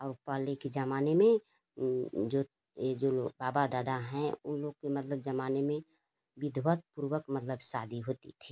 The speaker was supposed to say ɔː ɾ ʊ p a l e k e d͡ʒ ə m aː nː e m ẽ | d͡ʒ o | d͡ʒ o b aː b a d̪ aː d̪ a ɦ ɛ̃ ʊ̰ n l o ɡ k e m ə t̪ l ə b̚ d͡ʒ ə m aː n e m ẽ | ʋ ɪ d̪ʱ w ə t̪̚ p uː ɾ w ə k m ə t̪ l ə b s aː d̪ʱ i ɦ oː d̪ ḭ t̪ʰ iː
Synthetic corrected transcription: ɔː ɾ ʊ p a l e k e d͡ʒ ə m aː n e m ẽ | d͡ʒ o | d͡ʒ o b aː b a d̪ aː d̪ a ɦ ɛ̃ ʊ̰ n l o ɡ k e m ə t̪ l ə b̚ d͡ʒ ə m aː n e m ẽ | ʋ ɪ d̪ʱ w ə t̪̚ p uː ɾ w ə k m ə t̪ l ə b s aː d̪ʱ i ɦ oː t̪ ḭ t̪ʰ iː

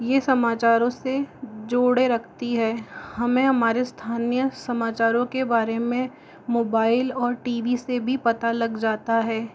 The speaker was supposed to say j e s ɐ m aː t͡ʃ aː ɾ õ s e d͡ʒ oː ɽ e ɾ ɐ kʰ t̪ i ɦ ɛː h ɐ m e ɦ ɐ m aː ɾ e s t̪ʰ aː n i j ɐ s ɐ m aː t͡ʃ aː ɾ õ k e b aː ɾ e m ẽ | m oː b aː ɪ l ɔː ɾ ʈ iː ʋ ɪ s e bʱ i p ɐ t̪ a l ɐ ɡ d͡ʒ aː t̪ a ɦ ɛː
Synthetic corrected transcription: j e s ɐ m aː t͡ʃ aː ɾ õ s e d͡ʒ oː ɽ e ɾ ɐ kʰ t̪ i ɦ ɛː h ɐ m ẽ ɦ ɐ m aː ɾ e s t̪ʰ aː n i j ə s ɐ m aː t͡ʃ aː ɾ õ k e b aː ɾ e m ẽ | m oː b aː ɪ l ɔː ɾ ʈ iː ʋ i s e bʱ i p ɐ t̪ a l ɐ ɡ d͡ʒ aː t̪ a ɦ ɛː

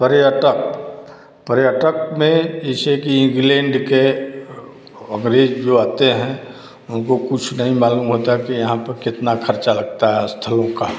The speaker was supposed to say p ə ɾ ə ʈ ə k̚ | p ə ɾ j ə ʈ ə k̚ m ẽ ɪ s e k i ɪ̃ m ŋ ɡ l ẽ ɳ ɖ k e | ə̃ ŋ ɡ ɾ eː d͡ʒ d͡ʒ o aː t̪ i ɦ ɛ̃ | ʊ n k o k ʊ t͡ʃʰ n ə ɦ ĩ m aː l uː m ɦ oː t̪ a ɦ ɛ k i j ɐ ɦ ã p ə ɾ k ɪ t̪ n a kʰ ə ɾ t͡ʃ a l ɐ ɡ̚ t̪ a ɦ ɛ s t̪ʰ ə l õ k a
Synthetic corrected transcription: p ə ɾ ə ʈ ə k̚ | p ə ɾ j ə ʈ ə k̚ m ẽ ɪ s e k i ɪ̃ ŋ ɡ l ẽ ɳ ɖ k e | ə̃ ŋ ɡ ɾ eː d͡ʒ d͡ʒ o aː t̪ e ɦ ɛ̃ | ʊ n k o k ʊ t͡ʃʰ n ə ɦ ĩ m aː l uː m ɦ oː t̪ a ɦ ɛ k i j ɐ ɦ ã p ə ɾ k ɪ t̪ n a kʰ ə ɾ t͡ʃ a l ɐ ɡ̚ t̪ a ɦ ɛ s t̪ʰ ə l õ k a

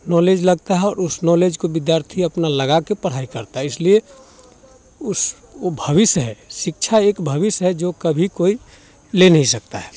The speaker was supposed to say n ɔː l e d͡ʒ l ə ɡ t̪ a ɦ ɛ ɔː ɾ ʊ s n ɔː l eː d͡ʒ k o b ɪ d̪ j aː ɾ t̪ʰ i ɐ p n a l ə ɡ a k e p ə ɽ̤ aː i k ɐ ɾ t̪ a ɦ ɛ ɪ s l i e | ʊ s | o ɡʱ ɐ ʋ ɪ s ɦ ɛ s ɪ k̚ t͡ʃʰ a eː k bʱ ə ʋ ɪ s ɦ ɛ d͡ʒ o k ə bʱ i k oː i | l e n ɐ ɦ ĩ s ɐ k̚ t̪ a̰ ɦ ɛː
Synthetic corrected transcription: n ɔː l e d͡ʒ l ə ɡ t̪ a ɦ ɛ ɔː ɾ ʊ s n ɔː l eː d͡ʒ k o b ɪ d̪ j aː ɾ t̪ʰ i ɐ p n a l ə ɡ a k e p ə ɽ̤ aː i k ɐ ɾ t̪ a ɦ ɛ ɪ s l i e | ʊ s | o bʱ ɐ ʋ ɪ s ɦ ɛ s ɪ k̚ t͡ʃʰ a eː k bʱ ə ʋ ɪ s ɦ ɛ d͡ʒ o k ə bʱ i k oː i | l e n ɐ ɦ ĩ s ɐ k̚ t̪ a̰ ɦ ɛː

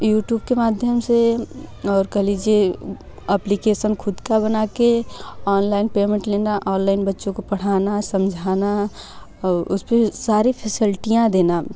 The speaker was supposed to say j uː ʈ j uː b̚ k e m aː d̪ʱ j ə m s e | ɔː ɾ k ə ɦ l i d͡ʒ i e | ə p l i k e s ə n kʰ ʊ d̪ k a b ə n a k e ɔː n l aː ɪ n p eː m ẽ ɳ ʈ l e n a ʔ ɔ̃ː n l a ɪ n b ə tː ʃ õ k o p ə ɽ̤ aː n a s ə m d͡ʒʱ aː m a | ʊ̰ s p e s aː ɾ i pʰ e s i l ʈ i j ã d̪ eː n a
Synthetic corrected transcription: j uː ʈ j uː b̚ k e m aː d̪ʱ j ə m s e | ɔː ɾ k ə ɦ l i d͡ʒ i e | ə p l i k e s ə n kʰ ʊ d̪ k a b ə n a k e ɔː n l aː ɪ n p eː m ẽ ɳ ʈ l e n a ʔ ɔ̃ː n l a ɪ n b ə tː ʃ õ k o p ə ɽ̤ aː n a s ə m d͡ʒʱ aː n a | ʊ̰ s p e s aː ɾ i pʰ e s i l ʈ i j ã d̪ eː n a

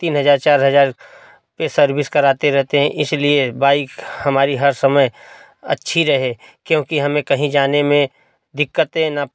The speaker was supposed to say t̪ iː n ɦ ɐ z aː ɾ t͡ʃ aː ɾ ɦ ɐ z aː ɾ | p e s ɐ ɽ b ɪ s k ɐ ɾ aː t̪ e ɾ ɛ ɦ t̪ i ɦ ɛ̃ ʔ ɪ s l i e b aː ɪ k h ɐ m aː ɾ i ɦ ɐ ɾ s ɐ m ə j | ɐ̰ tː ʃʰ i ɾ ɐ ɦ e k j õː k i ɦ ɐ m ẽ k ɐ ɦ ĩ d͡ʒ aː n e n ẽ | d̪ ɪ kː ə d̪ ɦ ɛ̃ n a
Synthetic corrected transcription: t̪ iː n ɦ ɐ z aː ɾ t͡ʃ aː ɾ ɦ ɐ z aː ɾ | p e s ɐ ɾ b ɪ s k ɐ ɾ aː t̪ e ɾ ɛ ɦ t̪ e ɦ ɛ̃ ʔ ɪ s l i e b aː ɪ k h ɐ m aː ɾ i ɦ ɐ ɾ s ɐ m ə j | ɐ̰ tː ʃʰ i ɾ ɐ ɦ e k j õː k i ɦ ɐ m ẽ k ɐ ɦ ĩ d͡ʒ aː n e m ẽ | d̪ ɪ kː ə t̪ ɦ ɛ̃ n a

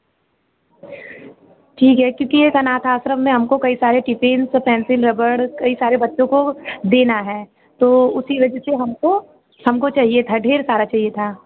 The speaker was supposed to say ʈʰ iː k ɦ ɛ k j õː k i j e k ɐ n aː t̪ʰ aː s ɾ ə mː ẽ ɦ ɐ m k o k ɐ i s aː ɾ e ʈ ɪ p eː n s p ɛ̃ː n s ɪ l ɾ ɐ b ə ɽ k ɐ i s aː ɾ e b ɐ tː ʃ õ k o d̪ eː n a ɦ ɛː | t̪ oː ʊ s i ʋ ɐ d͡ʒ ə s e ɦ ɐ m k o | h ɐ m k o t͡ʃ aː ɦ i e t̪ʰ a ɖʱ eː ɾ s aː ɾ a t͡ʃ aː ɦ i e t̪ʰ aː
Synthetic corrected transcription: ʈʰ iː k ɦ ɛ k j õː k i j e k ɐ n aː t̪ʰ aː s ɾ ə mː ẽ ɦ ɐ m k o k ɐ i s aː ɾ e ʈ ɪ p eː n s p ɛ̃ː n s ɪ l ɾ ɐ b ə ɽ k ɐ i s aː ɾ e b ɐ tː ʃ õ k o d̪ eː n a ɦ ɛː | t̪ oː ʊ s i ʋ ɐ d͡ʒ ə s e ɦ ɐ m k o | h ɐ m k o t͡ʃ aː ɦ i e t̪ʰ a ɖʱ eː ɾ s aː ɾ a t͡ʃ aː ɦ i e t̪ʰ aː

